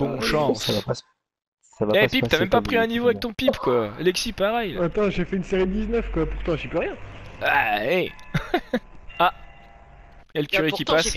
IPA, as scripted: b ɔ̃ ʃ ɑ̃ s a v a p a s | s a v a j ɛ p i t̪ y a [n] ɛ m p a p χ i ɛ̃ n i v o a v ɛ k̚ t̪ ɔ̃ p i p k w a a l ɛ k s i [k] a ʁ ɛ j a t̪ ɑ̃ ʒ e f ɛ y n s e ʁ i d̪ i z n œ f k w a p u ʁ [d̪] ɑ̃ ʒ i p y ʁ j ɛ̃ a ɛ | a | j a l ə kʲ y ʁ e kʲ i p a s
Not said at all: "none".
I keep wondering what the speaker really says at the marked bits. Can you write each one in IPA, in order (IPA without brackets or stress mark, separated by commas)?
m, p, t̪